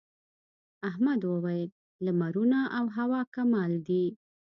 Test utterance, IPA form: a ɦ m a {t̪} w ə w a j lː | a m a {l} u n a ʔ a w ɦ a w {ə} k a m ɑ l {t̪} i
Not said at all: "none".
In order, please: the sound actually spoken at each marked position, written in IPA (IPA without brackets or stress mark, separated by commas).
d̪, ɾ, ɑ, d̪